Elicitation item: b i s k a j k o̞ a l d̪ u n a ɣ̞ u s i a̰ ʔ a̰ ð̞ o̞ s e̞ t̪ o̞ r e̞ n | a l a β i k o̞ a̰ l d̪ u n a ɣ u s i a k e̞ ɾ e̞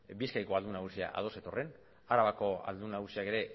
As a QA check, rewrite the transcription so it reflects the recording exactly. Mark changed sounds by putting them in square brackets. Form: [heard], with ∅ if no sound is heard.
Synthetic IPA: b i s k a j k o̞ a l d̪ u n a ɣ̞ u s i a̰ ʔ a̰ ð̞ o̞ s e̞ t̪ o̞ r e̞ n | a [ɾ] a β [a] k o̞ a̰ l d̪ u n a ɣ u s i a k e̞ ɾ e̞

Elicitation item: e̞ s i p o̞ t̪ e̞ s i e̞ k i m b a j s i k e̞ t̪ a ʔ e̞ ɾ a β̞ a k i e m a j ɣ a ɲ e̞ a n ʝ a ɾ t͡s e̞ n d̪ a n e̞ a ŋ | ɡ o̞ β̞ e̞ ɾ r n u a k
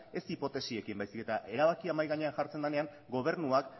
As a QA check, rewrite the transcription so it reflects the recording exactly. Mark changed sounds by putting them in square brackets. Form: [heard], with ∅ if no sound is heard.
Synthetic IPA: e̞ s i p o̞ t̪ e̞ s i e̞ k i m b a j s i k e̞ t̪ a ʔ e̞ ɾ a β̞ a k i [a] m a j ɣ a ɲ e̞ a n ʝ a ɾ t͡s e̞ n d̪ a n e̞ a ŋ | ɡ o̞ β̞ e̞ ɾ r n u a k

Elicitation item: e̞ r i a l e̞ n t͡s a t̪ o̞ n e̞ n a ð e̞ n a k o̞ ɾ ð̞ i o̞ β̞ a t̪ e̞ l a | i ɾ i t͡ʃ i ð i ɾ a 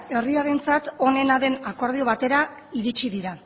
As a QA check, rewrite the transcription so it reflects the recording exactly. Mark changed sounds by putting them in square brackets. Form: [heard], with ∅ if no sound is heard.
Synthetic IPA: e̞ r i a [ɾ] e̞ n t͡s a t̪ o̞ n e̞ n a ð e̞ n a k o̞ ɾ ð̞ i o̞ β̞ a t̪ e̞ [ɾ] a | i ɾ i t͡ʃ i ð i ɾ a

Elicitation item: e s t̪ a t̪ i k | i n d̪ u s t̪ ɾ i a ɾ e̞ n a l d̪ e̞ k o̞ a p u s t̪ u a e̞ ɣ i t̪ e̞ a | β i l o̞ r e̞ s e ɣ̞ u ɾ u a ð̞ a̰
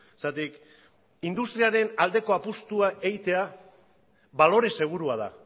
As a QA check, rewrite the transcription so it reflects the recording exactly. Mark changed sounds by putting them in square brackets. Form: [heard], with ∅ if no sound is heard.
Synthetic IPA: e s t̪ a t̪ i k | i n d̪ u s t̪ ɾ i a ɾ e̞ n a l d̪ e̞ k o̞ a p u s t̪ u a e̞ ɣ i t̪ e̞ a | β [a] l o̞ [ɾ] e̞ s e ɣ̞ u ɾ u a ð̞ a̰

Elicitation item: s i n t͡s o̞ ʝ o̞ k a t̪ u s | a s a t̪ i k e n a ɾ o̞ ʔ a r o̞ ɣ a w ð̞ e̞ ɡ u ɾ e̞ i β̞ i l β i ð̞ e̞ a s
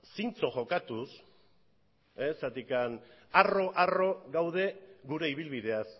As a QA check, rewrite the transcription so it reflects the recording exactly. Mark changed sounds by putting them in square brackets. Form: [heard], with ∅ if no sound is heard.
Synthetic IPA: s i n t͡s o̞ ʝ o̞ k a t̪ u s | [e] s a t̪ i k [a] n a [r] o̞ ʔ a r o̞ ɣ a w ð̞ e̞ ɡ u ɾ e̞ i β̞ i l β i ð̞ e̞ a s

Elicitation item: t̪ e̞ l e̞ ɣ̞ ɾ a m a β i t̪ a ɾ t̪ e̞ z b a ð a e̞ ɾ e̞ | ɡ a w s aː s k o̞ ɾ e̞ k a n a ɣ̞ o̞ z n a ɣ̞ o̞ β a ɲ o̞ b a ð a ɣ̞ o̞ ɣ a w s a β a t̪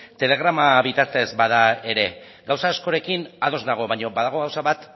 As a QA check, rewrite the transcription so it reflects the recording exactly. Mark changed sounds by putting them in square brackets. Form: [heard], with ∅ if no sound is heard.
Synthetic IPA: t̪ e̞ l e̞ ɣ̞ ɾ a m a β i t̪ a ɾ t̪ e̞ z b a ð a e̞ ɾ e̞ | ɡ a w s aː s k o̞ ɾ e̞ k [i] n a [ð̞] o̞ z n a ɣ̞ o̞ β a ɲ o̞ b a ð a ɣ̞ o̞ ɣ a w s a β a t̪

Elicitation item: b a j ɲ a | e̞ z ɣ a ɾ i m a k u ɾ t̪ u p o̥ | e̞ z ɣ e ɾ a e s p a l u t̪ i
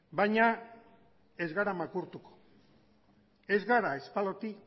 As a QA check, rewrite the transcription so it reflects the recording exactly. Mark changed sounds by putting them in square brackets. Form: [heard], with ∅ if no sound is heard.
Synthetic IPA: b a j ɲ a | e̞ z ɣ a ɾ [a] m a k u ɾ t̪ u [k] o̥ | e̞ z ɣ [a] ɾ a e s p a l [o] t̪ i

